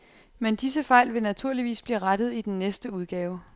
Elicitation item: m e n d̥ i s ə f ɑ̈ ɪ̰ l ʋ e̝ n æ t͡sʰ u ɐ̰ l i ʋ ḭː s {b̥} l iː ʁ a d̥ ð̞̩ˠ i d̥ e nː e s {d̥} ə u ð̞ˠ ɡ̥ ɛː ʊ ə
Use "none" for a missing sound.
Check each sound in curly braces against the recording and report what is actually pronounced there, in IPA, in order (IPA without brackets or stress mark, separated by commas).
b̥, d̥